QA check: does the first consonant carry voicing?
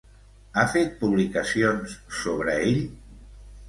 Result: no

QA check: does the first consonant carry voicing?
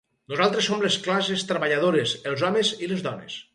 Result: yes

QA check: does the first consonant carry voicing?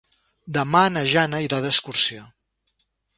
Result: yes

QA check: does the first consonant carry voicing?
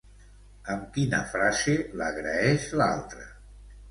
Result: yes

